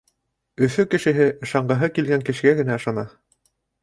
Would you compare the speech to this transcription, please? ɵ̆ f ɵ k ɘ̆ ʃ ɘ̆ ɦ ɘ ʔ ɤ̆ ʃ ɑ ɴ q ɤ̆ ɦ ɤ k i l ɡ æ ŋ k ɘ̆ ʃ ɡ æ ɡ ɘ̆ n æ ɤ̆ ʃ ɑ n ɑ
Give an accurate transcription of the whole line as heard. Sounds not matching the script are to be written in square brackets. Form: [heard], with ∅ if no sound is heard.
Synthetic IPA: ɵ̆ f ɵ k ɘ̆ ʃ ɘ̆ ɦ ɘ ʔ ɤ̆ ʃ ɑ ɴ [ɢ] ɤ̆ ɦ ɤ k i l ɡ æ ŋ k ɘ̆ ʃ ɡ æ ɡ ɘ̆ n æ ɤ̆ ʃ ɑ n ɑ